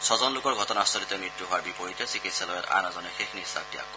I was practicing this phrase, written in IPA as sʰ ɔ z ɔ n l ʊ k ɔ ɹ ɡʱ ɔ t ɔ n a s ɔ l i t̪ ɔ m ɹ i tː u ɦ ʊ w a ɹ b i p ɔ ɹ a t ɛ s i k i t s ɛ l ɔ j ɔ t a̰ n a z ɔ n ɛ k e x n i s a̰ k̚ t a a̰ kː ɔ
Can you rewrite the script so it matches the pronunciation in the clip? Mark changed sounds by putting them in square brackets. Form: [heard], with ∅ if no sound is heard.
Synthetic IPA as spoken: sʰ ɔ z ɔ n l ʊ k ɔ ɹ ɡʱ ɔ t ɔ n a s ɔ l i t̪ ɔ m ɹ i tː u ɦ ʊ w a ɹ b i p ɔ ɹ [i] t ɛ s i k i t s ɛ l ɔ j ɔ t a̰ n a z ɔ n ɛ [x] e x n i s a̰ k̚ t [i] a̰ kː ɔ